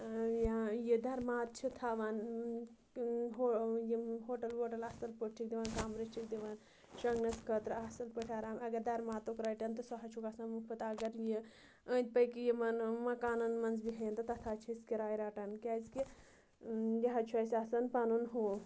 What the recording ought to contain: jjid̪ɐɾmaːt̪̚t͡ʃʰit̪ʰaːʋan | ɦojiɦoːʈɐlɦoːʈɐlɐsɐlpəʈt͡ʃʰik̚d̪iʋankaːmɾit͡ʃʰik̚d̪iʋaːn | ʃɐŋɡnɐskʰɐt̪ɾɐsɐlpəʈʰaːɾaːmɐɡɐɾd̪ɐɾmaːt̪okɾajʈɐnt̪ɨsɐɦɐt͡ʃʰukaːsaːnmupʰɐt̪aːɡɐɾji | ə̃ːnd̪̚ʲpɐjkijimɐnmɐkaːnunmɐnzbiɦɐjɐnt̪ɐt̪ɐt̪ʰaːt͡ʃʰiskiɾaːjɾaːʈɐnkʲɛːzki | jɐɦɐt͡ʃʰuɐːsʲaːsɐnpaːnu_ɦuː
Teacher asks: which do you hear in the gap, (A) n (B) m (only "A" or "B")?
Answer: A